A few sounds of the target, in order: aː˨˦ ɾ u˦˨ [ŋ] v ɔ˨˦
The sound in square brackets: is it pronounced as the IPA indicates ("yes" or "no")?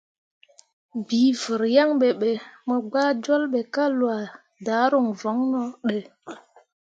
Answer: yes